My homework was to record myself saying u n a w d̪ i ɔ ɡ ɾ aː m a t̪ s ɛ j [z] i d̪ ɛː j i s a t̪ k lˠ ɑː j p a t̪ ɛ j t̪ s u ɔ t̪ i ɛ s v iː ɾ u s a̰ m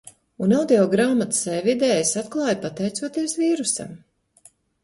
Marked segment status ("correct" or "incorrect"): incorrect